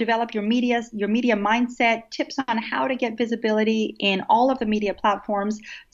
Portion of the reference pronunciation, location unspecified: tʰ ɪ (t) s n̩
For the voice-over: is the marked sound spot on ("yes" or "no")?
no